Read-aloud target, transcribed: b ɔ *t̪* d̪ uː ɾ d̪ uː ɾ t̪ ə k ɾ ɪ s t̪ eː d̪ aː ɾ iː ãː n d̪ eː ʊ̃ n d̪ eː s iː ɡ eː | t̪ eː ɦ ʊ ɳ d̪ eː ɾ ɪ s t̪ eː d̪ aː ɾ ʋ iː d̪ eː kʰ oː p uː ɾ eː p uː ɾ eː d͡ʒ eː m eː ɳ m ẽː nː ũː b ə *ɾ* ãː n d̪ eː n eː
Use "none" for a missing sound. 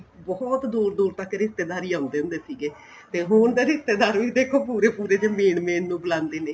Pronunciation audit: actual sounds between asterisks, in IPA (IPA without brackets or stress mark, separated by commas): t̪, l